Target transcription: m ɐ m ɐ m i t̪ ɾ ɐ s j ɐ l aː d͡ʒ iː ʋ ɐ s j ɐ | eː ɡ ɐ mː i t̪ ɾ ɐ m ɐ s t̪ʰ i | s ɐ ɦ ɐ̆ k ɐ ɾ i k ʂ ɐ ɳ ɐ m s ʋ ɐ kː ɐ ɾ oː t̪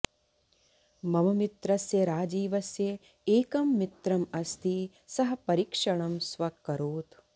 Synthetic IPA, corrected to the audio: m ɐ m ɐ m i t̪ ɾ ɐ s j ɐ ɾ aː d͡ʒ iː ʋ ɐ s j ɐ | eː k ɐ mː i t̪ ɾ ɐ m ɐ s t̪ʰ i | s ɐ ɦ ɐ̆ p ɐ ɾ i k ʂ ɐ ɳ ɐ m s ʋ ɐ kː ɐ ɾ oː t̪